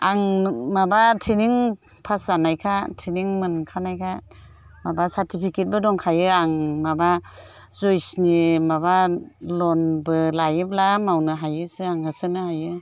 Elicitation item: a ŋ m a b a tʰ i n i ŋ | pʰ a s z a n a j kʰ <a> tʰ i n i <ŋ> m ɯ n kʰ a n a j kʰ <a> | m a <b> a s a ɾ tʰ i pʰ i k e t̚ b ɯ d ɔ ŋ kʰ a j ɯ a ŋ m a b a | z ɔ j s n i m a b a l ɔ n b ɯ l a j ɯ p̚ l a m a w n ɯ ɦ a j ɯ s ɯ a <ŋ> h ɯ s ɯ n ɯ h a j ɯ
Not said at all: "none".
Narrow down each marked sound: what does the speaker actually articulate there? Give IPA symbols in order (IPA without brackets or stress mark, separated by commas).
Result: a, ŋ, a, b, ŋ